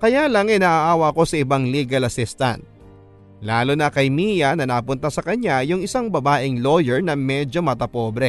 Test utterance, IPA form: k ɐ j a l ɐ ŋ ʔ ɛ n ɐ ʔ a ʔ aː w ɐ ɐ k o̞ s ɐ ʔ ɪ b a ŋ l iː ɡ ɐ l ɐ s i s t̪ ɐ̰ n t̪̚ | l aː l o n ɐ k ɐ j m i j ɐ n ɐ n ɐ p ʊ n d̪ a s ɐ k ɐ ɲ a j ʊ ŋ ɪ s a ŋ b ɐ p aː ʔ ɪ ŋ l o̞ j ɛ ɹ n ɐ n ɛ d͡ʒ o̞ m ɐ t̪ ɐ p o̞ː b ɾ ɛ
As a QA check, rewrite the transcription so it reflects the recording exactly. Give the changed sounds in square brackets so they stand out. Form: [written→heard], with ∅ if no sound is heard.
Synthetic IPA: k ɐ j a l ɐ ŋ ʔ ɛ n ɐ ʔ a ʔ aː w ɐ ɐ k o̞ s ɐ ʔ ɪ b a ŋ l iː ɡ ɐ l ɐ s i s t̪ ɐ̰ n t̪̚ | l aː l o n ɐ k ɐ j m i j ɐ n ɐ n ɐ p ʊ n [d̪→t̪] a s ɐ k ɐ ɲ a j ʊ ŋ ɪ s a ŋ b ɐ [p→b] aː ʔ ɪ ŋ l o̞ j ɛ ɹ n ɐ [n→m] ɛ d͡ʒ o̞ m ɐ t̪ ɐ p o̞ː b ɾ ɛ